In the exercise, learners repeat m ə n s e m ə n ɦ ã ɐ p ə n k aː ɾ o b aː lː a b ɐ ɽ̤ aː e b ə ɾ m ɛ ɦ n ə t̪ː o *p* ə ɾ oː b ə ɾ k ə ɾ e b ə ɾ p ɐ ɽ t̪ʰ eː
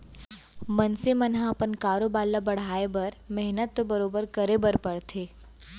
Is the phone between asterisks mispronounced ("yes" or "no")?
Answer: yes